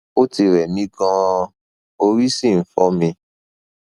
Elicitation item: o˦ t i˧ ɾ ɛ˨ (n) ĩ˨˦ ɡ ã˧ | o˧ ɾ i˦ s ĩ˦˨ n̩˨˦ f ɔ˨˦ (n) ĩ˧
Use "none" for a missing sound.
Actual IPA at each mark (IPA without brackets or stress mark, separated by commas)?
m, m